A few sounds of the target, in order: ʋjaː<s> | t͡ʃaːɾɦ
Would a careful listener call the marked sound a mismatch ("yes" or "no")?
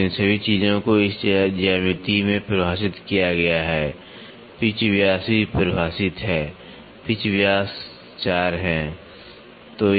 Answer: no